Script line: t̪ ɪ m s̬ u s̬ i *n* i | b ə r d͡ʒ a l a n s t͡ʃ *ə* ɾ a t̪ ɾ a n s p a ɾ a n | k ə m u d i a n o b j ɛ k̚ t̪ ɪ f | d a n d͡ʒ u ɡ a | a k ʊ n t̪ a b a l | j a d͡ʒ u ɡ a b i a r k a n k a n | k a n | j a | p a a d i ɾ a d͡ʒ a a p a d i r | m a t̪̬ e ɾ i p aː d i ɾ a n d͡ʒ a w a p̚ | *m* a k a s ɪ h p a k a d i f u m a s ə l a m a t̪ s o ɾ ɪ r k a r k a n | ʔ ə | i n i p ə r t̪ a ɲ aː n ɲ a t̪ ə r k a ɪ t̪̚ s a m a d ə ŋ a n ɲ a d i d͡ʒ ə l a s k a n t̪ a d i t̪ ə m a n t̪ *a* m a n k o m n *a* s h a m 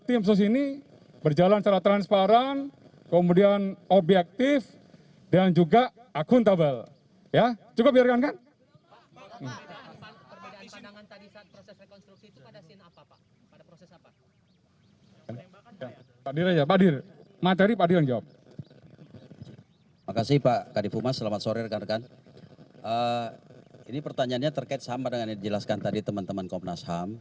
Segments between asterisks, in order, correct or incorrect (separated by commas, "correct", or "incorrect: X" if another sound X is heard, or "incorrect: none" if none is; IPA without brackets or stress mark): correct, incorrect: a, correct, incorrect: ə, correct